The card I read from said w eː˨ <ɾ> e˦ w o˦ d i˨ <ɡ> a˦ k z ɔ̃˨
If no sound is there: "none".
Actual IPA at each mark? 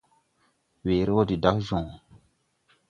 ɾ, d

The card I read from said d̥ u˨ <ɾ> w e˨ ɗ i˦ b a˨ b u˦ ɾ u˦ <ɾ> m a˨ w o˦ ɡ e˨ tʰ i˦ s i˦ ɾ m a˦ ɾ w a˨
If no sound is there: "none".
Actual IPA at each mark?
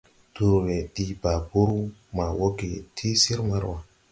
ɾ, none

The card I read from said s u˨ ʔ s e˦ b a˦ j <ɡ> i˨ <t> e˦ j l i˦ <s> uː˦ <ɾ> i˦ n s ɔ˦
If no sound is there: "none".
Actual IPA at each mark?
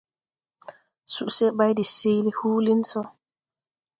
d, s, h, l

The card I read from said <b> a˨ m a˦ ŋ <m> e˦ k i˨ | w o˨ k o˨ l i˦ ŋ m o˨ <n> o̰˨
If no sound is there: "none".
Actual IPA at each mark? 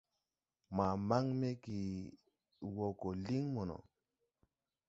m, m, n

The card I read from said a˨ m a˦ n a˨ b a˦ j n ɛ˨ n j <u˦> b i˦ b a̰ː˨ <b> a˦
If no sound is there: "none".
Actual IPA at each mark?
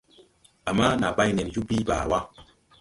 u˦, w

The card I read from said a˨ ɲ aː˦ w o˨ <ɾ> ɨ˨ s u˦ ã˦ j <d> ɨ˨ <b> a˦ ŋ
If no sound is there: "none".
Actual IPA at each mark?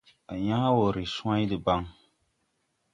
ɾ, d, b

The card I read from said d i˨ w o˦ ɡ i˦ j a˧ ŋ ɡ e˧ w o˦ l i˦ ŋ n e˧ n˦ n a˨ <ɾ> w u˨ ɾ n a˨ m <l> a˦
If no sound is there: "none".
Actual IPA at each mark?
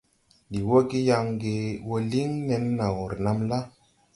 none, l

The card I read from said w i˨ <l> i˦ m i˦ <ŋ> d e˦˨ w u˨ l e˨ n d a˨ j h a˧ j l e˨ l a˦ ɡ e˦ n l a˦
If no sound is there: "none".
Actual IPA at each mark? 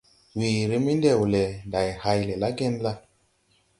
ɾ, n

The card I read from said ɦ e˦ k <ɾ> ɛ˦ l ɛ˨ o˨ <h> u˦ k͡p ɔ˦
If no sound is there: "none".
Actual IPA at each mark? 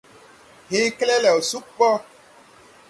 l, s

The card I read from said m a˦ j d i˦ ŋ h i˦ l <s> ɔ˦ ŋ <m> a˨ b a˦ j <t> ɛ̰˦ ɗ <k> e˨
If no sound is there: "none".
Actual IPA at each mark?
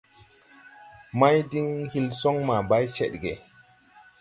s, m, t͡ʃ, ɡ

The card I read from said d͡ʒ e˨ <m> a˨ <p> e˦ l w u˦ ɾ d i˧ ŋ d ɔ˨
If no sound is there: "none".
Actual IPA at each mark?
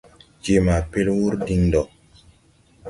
m, p

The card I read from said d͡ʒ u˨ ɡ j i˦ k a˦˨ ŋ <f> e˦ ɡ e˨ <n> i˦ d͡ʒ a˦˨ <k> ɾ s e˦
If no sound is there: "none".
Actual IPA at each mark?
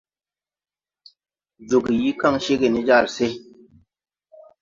ʃ, n, none

